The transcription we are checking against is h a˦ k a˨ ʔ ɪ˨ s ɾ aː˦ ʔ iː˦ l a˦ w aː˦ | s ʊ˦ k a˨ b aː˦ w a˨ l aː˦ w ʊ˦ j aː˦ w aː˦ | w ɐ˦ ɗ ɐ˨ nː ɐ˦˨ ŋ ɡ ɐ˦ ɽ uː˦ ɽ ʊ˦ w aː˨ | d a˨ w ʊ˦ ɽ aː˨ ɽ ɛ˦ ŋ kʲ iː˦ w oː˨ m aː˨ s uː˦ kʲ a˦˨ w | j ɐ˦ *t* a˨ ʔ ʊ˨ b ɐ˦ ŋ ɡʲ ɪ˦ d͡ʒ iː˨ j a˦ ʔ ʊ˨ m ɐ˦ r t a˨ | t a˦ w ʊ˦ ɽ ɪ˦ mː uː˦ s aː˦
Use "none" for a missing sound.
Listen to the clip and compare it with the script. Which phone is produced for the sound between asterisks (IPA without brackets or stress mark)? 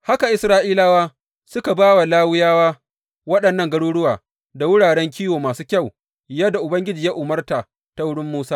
d